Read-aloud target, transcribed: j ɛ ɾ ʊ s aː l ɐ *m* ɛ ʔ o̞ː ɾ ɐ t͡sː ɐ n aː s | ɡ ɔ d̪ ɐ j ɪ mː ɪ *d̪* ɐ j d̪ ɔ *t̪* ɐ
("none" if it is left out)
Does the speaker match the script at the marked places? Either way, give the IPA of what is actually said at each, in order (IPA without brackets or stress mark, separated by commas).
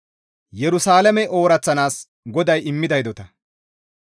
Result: m, d̪, t̪